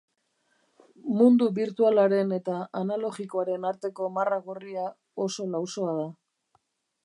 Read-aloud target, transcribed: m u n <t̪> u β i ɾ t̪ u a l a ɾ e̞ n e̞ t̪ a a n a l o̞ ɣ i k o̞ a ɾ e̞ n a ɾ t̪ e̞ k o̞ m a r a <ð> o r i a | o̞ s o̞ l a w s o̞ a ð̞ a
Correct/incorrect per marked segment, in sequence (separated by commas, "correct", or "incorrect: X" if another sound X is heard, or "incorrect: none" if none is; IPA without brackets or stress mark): incorrect: d̪, incorrect: ɣ